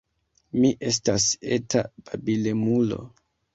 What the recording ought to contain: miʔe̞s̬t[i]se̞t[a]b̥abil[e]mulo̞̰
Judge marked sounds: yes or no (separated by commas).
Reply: no, yes, yes